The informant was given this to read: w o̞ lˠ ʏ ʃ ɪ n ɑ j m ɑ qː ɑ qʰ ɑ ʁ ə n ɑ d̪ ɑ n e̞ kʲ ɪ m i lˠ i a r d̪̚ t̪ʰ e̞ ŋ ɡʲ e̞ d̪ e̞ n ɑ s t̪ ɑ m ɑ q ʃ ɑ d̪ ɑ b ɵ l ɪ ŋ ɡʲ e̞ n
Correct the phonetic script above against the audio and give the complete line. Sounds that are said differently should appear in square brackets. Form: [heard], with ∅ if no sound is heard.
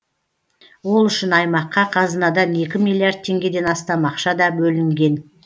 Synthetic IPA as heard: w o̞ lˠ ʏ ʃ ɪ n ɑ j m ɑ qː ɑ qʰ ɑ [z] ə n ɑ d̪ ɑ n e̞ kʲ ɪ m i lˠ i a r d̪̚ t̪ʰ e̞ ŋ ɡʲ e̞ d̪ e̞ n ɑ s t̪ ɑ m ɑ q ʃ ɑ d̪ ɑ b ɵ l ɪ ŋ ɡʲ e̞ n